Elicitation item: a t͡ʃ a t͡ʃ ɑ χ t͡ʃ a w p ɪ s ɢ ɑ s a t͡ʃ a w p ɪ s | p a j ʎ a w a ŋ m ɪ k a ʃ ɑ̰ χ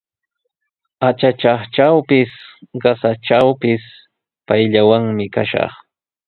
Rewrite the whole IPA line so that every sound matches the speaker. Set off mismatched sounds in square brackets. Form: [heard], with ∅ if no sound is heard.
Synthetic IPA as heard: a t͡ʃ a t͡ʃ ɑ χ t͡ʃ a w p ɪ s ɢ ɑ s a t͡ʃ a w p ɪ s | p a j ʎ a w a ŋ m ɪ k a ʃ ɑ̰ χ